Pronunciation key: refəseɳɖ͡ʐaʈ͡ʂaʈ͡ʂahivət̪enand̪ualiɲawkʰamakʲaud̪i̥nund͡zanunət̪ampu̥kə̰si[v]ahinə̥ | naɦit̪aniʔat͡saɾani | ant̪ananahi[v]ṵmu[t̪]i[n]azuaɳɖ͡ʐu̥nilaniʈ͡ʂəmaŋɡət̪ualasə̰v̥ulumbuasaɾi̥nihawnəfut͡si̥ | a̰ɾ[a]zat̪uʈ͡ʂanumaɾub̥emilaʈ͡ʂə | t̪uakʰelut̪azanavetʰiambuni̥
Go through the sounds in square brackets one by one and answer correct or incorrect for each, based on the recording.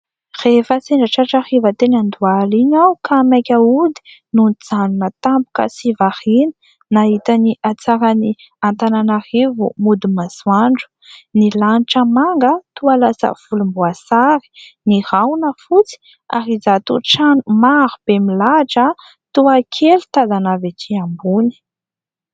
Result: correct, correct, incorrect: d̪, incorrect: m, incorrect: i

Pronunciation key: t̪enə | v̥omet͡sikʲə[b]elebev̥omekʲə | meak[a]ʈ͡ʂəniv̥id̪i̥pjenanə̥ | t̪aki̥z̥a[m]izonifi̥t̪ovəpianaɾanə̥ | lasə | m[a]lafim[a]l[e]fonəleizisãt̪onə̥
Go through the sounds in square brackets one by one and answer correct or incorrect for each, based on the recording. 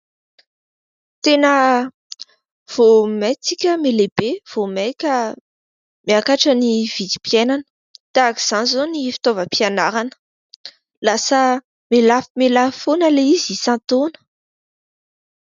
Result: incorrect: m, correct, incorrect: n, incorrect: e, incorrect: e, incorrect: a

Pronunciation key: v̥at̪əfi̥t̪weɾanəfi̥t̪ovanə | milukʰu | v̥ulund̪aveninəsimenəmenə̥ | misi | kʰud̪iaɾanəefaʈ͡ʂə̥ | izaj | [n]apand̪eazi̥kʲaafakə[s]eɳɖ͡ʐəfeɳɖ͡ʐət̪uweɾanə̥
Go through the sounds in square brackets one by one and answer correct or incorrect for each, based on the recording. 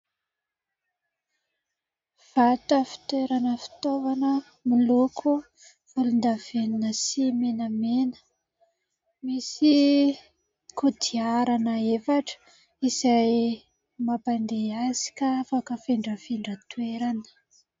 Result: incorrect: m, incorrect: f

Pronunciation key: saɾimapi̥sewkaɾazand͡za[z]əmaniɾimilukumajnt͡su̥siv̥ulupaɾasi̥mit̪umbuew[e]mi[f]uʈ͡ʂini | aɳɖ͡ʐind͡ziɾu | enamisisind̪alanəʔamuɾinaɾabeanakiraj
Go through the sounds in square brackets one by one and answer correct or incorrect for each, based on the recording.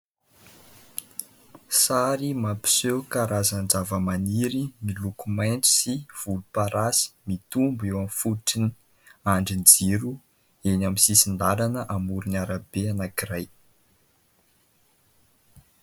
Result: incorrect: v, incorrect: a, correct

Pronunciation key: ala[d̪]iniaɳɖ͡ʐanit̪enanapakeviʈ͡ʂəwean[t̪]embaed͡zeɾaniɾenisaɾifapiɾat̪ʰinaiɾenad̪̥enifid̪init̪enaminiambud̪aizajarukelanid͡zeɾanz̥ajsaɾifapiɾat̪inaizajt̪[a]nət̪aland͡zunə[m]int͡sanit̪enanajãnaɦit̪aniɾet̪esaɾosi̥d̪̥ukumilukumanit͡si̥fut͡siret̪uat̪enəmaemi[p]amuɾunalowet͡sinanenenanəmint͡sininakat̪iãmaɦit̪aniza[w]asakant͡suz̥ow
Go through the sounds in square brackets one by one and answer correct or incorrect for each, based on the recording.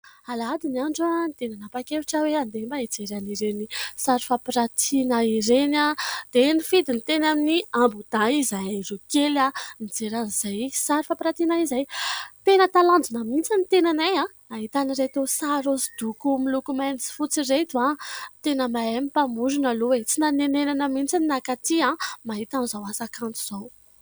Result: correct, incorrect: d̪, incorrect: e, correct, correct, correct

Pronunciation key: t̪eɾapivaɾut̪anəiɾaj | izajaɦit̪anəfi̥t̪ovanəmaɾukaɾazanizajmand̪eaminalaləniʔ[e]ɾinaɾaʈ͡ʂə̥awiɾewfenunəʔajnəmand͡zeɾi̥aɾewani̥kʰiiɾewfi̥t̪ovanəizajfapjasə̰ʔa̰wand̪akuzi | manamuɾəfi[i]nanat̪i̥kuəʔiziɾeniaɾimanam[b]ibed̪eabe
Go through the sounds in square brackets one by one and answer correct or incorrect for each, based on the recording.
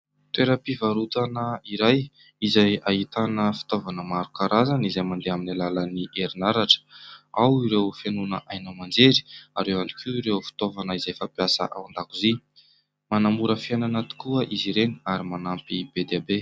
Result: correct, incorrect: a, incorrect: p

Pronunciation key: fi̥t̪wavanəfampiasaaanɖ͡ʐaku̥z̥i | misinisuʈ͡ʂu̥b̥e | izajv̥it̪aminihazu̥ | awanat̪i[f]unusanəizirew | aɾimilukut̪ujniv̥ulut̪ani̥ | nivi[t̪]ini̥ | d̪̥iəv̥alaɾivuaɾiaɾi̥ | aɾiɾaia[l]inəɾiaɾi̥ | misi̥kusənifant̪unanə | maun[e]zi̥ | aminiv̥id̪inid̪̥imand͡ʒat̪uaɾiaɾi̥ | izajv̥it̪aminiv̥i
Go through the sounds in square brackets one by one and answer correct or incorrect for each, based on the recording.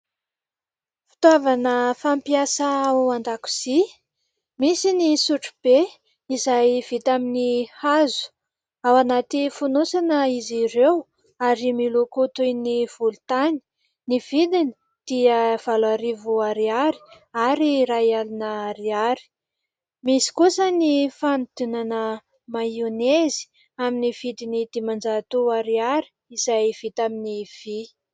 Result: correct, incorrect: d̪, correct, correct

